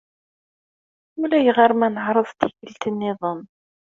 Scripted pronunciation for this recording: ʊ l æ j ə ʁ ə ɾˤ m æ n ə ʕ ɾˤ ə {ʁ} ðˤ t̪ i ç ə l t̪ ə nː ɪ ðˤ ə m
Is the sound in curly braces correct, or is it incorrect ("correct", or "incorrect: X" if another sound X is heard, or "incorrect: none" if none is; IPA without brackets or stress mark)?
incorrect: none